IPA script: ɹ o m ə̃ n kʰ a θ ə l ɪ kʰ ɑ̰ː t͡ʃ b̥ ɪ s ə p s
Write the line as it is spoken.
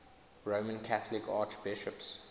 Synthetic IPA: ɹ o m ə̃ n kʰ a θ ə l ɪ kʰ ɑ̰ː t͡ʃ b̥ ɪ ʃ ə p s